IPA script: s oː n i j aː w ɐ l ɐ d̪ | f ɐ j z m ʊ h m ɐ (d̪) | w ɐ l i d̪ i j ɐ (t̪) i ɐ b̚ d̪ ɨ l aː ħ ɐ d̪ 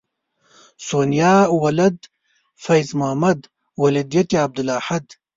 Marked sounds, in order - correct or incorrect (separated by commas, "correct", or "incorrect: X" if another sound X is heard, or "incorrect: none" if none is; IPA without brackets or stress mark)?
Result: correct, correct